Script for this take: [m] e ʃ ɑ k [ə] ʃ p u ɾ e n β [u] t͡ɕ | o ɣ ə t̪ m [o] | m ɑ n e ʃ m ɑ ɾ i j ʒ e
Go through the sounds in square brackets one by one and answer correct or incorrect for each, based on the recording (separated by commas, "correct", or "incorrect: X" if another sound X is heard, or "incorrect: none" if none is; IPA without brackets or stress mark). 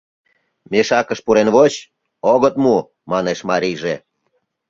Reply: correct, correct, incorrect: o, incorrect: u